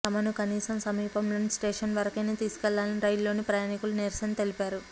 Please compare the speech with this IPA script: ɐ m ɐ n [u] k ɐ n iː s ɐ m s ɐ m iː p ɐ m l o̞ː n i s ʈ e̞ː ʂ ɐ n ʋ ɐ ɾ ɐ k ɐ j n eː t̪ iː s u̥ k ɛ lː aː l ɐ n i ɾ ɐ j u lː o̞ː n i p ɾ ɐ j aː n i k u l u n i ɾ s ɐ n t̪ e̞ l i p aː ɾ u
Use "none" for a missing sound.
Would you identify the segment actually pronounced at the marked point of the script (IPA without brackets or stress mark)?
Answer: u